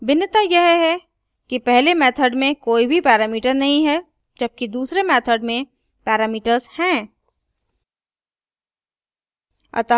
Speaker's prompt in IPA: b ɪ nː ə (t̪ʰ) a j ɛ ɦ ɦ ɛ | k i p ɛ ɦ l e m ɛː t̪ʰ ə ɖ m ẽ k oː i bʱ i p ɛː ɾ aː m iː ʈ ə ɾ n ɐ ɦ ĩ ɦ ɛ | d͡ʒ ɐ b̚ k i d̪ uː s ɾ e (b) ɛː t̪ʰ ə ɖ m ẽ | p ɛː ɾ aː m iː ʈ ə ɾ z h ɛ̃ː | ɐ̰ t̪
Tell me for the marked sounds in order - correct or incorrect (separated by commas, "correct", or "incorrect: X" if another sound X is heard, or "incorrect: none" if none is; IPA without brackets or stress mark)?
incorrect: t̪, incorrect: m